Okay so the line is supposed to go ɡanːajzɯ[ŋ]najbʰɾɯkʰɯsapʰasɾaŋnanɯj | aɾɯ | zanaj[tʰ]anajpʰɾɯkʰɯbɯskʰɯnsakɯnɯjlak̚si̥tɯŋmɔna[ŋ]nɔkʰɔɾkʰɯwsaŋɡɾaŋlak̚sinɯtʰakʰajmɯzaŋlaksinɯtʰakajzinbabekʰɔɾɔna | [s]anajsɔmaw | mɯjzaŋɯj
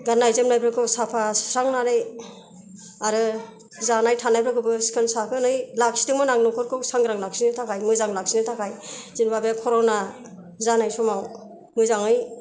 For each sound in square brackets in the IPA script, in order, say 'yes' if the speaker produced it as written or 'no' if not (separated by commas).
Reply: no, yes, yes, no